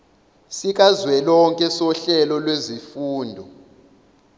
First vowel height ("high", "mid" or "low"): high